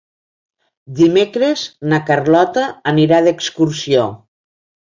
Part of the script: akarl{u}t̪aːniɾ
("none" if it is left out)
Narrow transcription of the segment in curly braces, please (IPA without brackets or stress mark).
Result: ɔ